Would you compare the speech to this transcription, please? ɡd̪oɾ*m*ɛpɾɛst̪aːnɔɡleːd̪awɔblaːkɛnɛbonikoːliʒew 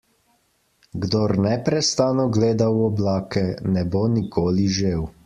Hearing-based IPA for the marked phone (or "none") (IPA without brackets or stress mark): n